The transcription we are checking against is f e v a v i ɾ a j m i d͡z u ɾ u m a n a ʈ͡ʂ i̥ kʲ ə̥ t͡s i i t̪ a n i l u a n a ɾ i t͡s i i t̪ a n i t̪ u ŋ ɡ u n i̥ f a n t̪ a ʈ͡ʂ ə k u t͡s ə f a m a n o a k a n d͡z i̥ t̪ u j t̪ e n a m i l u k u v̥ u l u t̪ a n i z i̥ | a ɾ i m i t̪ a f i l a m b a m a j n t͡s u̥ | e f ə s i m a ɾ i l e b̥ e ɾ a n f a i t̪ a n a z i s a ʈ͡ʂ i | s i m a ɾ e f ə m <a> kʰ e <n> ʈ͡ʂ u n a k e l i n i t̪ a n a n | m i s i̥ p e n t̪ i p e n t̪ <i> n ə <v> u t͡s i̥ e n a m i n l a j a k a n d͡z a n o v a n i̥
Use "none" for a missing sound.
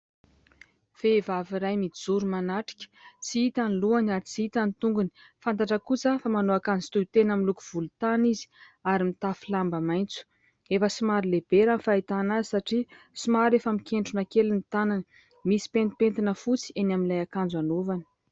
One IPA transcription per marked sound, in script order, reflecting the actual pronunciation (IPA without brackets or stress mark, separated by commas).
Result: i, ɳ, i, f